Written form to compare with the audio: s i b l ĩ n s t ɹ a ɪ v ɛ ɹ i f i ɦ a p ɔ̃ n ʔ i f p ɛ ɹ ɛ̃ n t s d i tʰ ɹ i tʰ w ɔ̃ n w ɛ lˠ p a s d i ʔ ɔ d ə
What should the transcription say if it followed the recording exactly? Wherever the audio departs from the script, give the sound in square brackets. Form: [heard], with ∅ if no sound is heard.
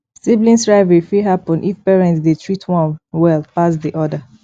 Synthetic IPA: s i b l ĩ n s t ɹ a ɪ v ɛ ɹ i f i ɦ a p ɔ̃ n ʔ i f p ɛ ɹ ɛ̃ n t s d [e] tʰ ɹ i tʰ w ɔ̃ n w ɛ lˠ p a s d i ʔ ɔ d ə